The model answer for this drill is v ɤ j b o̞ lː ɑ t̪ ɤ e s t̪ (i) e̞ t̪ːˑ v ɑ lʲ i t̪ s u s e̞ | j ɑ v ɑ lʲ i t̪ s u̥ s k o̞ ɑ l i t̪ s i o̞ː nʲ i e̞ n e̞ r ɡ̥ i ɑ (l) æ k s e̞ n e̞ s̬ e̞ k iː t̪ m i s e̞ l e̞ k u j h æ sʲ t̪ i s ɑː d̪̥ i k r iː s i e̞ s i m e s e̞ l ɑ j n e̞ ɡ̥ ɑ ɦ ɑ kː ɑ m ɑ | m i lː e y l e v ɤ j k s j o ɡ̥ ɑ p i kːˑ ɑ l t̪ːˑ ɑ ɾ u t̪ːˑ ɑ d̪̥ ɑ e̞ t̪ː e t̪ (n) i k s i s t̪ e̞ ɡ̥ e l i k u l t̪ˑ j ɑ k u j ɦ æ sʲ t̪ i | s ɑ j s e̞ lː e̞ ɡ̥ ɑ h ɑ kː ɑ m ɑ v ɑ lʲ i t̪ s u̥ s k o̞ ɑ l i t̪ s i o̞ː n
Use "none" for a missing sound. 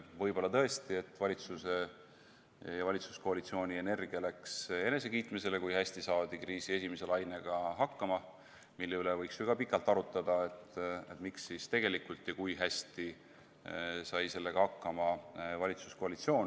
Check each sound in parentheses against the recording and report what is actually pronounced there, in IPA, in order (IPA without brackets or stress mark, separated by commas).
i, l, m